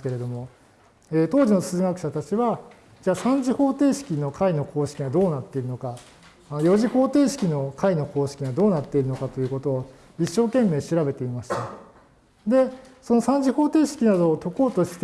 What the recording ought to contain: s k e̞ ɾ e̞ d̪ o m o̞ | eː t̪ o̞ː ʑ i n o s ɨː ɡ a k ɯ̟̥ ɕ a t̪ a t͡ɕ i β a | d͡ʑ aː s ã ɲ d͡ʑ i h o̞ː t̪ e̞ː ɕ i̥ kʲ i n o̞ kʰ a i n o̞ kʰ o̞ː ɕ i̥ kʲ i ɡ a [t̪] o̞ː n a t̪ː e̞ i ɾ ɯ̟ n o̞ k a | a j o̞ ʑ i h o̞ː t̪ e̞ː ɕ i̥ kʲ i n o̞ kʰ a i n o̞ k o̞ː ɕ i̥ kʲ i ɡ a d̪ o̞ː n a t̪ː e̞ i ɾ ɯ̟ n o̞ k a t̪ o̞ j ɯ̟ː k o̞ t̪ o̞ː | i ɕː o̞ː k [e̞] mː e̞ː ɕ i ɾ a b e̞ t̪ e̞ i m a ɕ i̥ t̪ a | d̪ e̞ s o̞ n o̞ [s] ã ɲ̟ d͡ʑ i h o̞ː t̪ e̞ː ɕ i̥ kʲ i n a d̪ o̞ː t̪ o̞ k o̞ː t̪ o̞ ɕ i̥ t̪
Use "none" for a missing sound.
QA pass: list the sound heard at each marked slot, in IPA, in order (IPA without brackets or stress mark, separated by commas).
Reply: d̪, ẽ̞, s